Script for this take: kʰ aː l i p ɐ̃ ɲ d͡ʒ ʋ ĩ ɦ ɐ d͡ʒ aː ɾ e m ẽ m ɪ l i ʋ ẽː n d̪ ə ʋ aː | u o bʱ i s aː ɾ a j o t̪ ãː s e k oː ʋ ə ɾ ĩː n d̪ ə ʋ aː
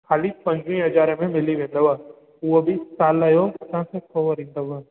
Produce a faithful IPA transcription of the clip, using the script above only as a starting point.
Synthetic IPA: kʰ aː l i p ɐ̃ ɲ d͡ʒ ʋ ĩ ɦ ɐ d͡ʒ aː ɾ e m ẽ m ɪ l i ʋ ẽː n d̪ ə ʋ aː | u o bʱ i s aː l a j o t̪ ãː s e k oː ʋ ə ɾ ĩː n d̪ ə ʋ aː

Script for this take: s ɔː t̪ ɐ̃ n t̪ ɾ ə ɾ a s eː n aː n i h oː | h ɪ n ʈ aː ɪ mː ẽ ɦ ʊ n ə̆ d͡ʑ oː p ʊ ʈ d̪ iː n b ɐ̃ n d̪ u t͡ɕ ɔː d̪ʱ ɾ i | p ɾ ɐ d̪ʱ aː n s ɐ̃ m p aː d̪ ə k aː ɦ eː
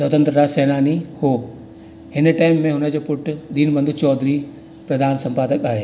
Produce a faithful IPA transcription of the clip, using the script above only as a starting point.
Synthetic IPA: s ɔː t̪ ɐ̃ n t̪ ɾ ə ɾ a s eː n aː n i h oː | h ɪ n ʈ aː ɪ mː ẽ ɦ ʊ n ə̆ d͡ʑ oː p ʊ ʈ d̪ iː n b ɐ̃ n d̪ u t͡ɕ ɔː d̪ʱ ɾ i | p ɾ ɐ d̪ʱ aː n s ɐ̃ m p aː d̪ ə k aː ɦ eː

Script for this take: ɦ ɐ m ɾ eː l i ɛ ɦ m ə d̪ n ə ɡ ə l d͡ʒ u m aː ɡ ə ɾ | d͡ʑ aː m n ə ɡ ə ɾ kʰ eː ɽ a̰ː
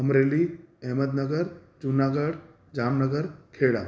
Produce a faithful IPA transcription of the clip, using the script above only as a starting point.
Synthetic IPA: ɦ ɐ m ɾ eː l i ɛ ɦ m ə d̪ n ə ɡ ə ɾ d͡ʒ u n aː ɡ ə ɽ | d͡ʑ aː m n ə ɡ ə ɾ kʰ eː ɽ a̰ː

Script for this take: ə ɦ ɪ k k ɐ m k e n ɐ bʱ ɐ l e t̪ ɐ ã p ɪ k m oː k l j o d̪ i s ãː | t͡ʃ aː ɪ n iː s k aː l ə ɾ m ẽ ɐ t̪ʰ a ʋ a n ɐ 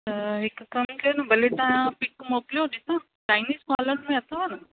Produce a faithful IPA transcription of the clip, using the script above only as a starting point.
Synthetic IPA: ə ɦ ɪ k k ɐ m k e n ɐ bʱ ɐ l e t̪ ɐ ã p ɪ k m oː k l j o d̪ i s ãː | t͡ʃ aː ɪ n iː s k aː l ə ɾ m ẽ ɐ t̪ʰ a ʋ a n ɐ

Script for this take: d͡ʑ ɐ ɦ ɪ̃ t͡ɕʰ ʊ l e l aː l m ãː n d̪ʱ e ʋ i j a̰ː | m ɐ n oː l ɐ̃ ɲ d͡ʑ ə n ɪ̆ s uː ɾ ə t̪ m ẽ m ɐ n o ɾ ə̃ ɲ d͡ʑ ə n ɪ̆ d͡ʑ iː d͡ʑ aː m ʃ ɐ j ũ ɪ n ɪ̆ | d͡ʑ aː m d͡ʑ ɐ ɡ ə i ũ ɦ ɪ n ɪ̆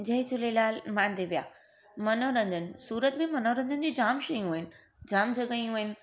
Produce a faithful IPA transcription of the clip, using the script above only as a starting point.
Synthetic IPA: d͡ʑ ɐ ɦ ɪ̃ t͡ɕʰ ʊ l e l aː l m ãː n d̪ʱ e ʋ i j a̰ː | m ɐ n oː ɾ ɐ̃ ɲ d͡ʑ ə n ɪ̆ s uː ɾ ə t̪ m ẽ m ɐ n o ɾ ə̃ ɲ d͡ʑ ə n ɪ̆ d͡ʑ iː d͡ʑ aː m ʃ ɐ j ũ ɪ n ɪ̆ | d͡ʑ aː m d͡ʑ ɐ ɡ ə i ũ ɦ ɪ n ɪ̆

